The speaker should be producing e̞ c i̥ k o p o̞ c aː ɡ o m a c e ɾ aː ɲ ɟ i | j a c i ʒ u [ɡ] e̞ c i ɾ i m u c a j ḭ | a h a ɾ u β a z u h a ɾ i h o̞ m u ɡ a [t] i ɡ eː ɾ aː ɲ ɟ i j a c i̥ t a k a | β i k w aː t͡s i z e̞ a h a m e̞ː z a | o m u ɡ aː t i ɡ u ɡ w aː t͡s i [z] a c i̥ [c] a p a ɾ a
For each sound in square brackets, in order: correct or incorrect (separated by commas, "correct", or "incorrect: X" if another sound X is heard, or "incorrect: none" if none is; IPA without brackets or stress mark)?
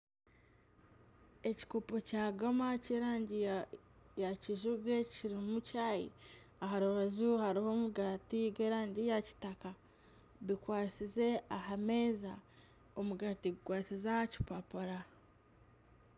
correct, correct, correct, incorrect: p